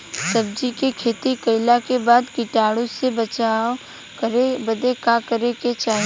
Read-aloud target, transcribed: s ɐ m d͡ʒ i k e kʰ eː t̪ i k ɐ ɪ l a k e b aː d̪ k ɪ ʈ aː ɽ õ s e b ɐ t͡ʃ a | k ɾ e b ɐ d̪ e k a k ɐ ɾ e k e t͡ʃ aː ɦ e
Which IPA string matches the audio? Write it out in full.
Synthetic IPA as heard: s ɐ b d͡ʒ i k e kʰ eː t̪ i k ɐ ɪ l a k e b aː d̪ k ɪ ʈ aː ɽ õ s e b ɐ t͡ʃ a | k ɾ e b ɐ d̪ e k a k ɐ ɾ e k e t͡ʃ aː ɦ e